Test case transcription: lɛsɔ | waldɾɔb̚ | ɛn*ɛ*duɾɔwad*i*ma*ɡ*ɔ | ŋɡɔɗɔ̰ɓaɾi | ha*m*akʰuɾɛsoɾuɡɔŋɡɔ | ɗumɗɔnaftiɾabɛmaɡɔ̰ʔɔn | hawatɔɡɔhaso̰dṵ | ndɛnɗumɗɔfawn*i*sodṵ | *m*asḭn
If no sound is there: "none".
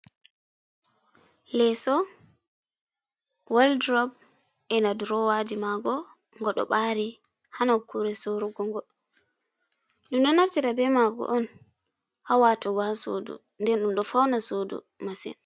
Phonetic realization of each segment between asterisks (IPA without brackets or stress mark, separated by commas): a, i, ɡ, n, a, m